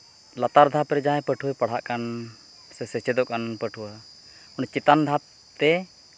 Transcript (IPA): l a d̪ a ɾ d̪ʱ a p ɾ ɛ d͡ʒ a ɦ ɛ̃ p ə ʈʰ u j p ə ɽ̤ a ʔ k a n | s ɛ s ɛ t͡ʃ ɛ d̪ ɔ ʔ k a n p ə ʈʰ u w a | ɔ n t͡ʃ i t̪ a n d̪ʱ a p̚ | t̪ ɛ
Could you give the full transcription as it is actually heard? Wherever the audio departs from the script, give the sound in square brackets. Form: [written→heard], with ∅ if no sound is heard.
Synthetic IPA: l a [d̪→t̪] a ɾ d̪ʱ a p ɾ ɛ d͡ʒ a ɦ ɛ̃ p ə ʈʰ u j p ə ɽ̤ a ʔ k a n | s ɛ s ɛ t͡ʃ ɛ d̪ ɔ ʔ k a n p ə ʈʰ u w a | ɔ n t͡ʃ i t̪ a n d̪ʱ a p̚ | t̪ ɛ